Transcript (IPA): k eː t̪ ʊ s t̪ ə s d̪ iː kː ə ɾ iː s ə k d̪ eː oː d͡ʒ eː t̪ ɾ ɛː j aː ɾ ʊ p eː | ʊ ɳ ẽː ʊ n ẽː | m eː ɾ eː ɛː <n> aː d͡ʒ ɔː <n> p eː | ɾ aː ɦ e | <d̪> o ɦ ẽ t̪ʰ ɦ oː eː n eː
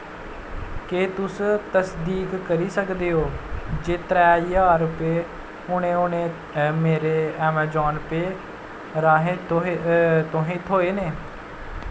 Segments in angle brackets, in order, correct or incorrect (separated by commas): incorrect, correct, incorrect